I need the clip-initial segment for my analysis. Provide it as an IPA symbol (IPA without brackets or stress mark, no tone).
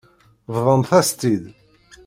v